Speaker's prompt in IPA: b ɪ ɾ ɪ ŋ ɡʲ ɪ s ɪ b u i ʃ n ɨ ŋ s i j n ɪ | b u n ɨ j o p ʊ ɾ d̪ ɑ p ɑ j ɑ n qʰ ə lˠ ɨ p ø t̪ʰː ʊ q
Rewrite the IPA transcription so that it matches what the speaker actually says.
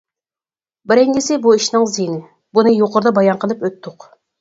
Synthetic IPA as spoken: b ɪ ɾ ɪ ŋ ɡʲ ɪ s ɪ b u i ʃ n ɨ ŋ z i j n ɪ | b u n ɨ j o q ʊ ɾ d̪ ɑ b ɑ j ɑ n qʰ ə lˠ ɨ p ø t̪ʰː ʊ q